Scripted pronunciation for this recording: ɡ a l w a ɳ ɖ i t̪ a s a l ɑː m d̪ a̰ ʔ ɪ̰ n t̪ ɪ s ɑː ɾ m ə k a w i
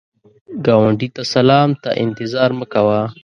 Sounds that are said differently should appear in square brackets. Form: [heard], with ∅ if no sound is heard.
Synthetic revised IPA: ɡ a [∅] w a ɳ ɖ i t̪ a s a l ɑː m [t̪] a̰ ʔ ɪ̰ n t̪ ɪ [z] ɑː ɾ m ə k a w [a]